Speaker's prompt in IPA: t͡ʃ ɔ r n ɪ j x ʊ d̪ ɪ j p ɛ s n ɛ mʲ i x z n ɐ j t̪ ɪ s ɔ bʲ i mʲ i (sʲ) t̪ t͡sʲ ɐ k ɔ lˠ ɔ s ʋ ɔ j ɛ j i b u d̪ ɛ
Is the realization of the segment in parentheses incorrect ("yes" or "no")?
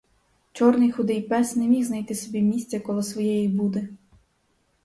no